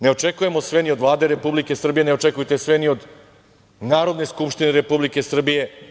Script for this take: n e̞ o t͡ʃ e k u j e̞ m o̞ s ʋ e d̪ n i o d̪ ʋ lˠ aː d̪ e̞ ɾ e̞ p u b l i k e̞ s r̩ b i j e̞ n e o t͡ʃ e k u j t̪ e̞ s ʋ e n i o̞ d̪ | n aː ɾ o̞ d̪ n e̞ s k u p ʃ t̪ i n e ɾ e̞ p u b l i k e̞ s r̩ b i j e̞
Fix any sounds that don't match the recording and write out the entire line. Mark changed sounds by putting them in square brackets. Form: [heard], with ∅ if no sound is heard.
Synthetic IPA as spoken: n e̞ o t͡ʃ e k u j e̞ m o̞ s ʋ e [∅] n i o d̪ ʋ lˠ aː d̪ e̞ ɾ e̞ p u b l i k e̞ s r̩ b i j e̞ n e o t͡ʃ e k u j t̪ e̞ s ʋ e n i o̞ d̪ | n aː ɾ o̞ d̪ n e̞ s k u p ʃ t̪ i n e ɾ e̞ p u b l i k e̞ s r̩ b i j e̞